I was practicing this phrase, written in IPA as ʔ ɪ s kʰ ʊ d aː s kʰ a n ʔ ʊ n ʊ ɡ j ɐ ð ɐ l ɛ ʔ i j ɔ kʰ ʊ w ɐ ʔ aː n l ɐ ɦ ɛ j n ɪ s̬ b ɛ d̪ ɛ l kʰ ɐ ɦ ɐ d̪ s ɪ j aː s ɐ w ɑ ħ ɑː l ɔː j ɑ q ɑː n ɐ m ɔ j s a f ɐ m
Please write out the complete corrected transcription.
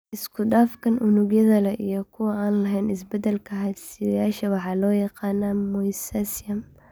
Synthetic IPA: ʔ ɪ s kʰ ʊ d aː f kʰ ɐ n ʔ ʊ n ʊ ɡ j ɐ ð ɐ l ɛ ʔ i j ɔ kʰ ʊ w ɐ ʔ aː n l ɐ ɦ ɛ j n ɪ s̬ b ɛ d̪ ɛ l kʰ ɐ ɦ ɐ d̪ s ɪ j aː ʃ ɐ w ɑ ħ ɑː l ɔː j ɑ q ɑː n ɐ m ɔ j s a s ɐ m